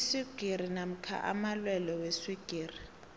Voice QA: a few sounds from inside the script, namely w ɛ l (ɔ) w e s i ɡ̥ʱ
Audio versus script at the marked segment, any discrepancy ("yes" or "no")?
no